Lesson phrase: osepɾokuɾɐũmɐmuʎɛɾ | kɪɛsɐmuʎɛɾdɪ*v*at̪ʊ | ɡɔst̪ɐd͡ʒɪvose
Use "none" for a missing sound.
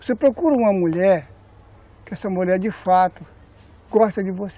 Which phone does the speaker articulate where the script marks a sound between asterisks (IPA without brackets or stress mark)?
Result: f